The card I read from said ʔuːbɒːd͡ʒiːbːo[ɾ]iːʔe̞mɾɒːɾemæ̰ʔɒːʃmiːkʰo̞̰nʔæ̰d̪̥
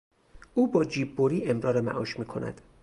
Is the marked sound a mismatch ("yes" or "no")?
no